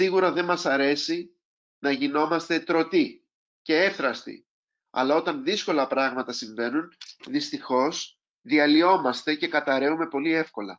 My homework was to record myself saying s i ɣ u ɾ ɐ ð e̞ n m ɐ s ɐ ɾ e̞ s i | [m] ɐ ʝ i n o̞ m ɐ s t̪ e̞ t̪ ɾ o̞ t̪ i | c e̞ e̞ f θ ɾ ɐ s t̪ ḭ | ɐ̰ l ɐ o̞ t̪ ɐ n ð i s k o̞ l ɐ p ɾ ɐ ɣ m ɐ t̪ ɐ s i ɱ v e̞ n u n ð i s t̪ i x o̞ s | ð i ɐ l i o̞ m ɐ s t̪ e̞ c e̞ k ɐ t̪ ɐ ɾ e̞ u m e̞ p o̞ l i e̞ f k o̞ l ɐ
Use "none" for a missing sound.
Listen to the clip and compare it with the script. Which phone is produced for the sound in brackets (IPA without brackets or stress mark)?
n